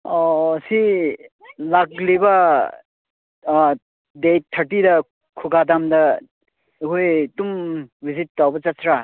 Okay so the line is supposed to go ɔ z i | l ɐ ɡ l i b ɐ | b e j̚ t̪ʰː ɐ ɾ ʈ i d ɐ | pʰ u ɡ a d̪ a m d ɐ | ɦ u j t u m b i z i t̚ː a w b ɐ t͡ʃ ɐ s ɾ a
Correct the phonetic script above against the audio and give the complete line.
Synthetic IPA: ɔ s i | l a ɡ l i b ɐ | d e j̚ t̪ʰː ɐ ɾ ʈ i d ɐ | kʰ u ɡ a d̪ a m d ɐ | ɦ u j t u m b i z i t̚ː a w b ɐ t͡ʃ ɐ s ɾ a